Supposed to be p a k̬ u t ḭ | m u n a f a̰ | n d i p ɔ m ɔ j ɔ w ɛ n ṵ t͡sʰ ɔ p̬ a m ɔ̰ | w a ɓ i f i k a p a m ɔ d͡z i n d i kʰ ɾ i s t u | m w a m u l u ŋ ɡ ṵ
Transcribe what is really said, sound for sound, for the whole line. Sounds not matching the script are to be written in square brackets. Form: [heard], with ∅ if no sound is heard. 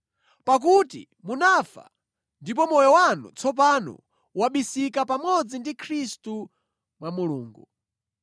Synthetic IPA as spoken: p a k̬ u t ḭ | m u n a f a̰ | n d i p ɔ m ɔ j ɔ w [a] n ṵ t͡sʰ ɔ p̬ a [n] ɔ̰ | w a ɓ i [s] i k a p a m ɔ d͡z i n d i kʰ ɾ i s t u | m w a m u l [uː] ŋ ɡ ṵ